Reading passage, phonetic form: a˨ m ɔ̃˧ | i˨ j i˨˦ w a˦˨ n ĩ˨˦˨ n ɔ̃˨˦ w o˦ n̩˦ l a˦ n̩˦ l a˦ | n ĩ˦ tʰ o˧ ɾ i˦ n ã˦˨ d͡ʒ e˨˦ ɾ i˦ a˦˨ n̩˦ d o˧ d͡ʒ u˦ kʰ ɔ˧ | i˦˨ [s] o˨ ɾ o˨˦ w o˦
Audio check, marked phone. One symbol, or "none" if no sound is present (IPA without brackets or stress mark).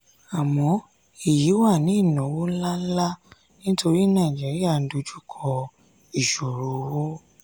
ʃ